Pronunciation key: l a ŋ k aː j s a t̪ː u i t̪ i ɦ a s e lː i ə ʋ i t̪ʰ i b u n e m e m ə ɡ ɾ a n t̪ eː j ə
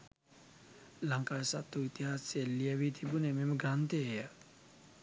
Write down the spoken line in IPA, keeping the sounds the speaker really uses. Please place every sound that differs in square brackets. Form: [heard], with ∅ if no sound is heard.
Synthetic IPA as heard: l a ŋ k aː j s a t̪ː u i t̪ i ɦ a s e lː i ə ʋ i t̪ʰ i b u n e m e m ə ɡ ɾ a n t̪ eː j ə